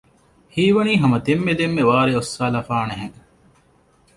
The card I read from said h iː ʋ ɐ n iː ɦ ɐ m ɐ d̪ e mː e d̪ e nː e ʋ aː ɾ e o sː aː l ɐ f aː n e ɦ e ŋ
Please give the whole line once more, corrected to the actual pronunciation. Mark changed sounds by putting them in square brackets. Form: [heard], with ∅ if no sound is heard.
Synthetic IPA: h iː ʋ ɐ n iː ɦ ɐ m ɐ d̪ e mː e d̪ e [mː] e ʋ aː ɾ e o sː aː l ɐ f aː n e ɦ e ŋ